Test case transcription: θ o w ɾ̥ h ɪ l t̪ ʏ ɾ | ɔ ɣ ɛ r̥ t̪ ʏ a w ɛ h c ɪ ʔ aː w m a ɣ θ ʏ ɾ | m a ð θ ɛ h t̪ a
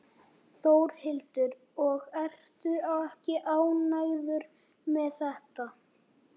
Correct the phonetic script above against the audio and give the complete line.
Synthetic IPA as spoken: θ o w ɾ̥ h ɪ l t̪ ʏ ɾ | ɔ ɣ ɛ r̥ t̪ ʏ a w ɛ h c ɪ ʔ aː w n a ɣ ð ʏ ɾ | m ɛ ð θ ɛ h t̪ a